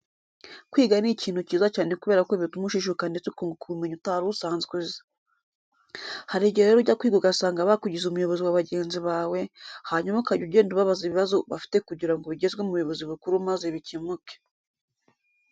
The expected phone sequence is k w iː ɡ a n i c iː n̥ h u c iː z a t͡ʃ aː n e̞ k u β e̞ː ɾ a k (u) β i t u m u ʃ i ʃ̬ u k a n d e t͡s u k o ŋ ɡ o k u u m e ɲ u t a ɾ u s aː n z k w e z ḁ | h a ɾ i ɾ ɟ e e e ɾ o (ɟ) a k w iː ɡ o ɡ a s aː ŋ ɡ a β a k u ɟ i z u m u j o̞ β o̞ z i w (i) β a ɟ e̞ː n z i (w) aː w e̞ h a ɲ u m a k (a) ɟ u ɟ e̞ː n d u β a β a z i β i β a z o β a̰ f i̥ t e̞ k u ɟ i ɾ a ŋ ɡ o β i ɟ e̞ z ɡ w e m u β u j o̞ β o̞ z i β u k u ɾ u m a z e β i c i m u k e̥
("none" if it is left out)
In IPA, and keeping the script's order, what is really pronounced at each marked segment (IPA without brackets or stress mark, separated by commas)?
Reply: o, ɟ, a, β, a